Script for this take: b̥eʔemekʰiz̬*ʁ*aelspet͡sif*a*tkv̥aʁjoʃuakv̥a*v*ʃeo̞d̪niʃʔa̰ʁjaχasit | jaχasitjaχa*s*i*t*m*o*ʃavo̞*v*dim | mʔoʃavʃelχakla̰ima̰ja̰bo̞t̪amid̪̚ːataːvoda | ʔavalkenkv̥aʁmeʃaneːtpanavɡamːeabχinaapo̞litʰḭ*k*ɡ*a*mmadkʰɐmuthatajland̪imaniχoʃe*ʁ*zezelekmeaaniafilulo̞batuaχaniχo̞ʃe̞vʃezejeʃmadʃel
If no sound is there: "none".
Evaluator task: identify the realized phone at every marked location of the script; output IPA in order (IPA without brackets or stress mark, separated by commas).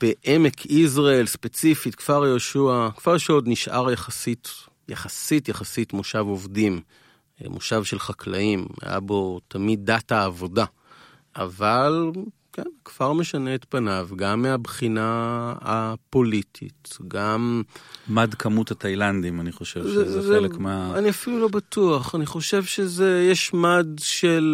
ʁ, i, ʁ, s, t, o, v, t, a, v